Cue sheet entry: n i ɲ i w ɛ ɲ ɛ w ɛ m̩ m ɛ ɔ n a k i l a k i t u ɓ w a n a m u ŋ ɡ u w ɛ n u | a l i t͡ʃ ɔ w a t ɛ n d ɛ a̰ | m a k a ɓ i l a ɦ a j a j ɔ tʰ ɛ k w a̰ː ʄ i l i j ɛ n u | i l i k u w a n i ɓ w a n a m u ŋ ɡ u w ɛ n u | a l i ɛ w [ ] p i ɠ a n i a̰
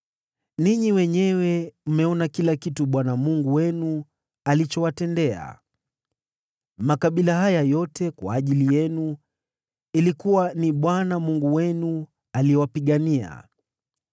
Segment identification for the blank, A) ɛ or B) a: B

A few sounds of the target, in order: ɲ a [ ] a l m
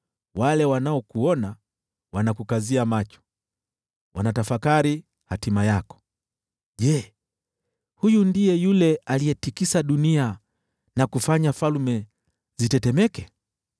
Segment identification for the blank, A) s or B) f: B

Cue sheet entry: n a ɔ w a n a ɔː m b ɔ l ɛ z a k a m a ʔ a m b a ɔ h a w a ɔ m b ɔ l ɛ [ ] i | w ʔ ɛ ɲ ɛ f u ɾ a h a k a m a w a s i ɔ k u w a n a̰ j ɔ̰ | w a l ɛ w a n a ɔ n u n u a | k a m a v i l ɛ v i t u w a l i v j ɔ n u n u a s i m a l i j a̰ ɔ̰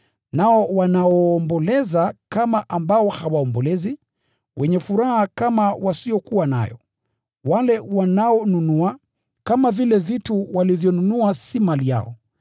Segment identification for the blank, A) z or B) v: A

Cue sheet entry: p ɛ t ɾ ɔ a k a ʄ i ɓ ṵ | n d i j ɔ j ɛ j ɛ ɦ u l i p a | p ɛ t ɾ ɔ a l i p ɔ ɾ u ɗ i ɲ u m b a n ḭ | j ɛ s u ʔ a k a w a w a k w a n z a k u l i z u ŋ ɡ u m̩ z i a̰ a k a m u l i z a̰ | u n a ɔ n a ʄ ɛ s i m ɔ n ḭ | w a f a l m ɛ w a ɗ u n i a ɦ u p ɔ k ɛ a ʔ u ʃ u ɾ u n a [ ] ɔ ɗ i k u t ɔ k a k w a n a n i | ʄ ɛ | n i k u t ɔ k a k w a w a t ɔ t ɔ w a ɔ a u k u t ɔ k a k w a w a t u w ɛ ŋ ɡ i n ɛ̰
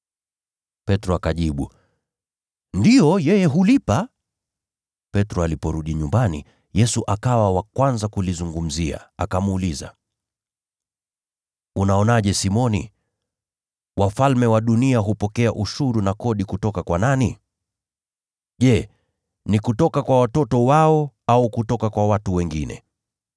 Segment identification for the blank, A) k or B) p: A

